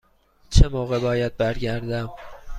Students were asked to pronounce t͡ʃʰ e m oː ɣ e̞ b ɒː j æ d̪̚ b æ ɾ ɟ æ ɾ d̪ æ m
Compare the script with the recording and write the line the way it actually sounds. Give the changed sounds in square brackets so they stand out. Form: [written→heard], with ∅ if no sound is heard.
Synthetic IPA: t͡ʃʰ e m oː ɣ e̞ b ɒː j æ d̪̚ b æ ɾ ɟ æ ɾ d̪ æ m